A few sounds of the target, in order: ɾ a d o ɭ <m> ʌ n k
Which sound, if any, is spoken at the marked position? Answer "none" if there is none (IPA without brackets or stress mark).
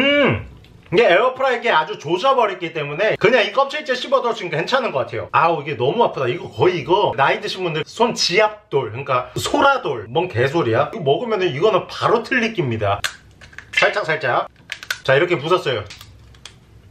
m